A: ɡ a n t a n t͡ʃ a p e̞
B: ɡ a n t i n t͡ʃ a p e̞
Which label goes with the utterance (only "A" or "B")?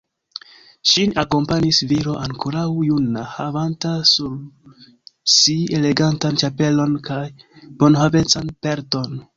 A